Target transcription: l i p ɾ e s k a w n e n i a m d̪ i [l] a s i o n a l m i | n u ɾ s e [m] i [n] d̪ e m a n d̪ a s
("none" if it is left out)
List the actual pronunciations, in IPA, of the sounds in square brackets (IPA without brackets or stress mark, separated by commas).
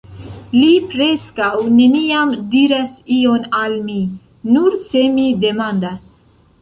ɾ, m, none